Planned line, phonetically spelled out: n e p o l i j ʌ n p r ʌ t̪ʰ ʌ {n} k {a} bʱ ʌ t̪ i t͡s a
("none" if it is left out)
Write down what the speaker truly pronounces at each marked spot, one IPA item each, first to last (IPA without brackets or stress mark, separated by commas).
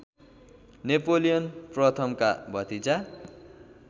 m, a